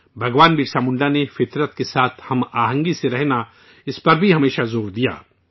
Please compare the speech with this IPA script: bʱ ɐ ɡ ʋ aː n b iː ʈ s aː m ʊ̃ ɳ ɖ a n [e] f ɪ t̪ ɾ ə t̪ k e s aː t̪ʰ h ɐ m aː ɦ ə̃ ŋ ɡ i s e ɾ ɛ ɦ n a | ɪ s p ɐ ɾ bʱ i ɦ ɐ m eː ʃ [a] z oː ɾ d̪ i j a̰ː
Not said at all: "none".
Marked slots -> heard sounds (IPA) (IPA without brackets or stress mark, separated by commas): e, a